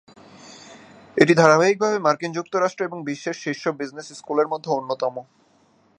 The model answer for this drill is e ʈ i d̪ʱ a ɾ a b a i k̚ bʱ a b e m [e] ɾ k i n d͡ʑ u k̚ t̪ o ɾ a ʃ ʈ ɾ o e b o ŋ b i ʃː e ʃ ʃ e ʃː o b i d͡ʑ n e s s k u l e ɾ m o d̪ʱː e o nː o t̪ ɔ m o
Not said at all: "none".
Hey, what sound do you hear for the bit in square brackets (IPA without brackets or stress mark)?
a